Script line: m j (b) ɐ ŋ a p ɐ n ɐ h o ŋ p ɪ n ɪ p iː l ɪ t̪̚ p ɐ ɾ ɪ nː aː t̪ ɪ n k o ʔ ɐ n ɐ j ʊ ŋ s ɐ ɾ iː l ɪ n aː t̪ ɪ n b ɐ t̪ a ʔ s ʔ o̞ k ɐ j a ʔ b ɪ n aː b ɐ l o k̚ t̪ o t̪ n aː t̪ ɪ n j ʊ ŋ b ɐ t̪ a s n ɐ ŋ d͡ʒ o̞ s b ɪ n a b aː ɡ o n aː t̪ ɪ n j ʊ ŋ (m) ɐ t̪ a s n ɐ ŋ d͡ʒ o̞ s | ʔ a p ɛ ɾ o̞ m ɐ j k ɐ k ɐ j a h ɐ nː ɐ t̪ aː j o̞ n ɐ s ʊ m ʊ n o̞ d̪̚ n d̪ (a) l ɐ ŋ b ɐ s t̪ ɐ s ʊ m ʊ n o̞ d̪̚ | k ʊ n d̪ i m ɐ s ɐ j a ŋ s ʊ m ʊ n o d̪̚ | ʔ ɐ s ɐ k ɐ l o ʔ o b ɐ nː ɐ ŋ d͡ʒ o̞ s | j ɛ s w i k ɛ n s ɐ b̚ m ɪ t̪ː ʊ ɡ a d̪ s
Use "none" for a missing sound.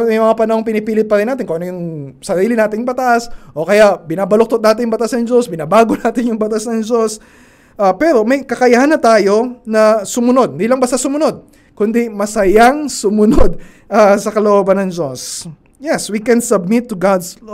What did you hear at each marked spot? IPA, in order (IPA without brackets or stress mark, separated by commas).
m, b, i